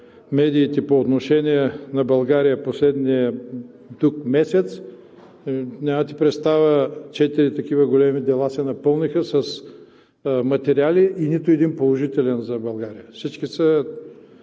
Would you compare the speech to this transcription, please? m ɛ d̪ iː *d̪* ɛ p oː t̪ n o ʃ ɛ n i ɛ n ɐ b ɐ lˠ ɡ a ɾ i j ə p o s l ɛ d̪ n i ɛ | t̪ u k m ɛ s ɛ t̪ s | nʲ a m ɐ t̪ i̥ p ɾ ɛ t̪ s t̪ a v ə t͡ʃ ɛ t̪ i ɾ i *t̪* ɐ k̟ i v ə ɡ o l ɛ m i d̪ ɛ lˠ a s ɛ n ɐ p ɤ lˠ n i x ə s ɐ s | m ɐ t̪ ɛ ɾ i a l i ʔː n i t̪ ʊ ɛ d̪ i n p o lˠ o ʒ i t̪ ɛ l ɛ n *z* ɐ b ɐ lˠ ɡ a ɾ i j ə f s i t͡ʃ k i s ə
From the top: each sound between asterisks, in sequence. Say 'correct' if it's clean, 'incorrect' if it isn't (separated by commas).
incorrect, correct, correct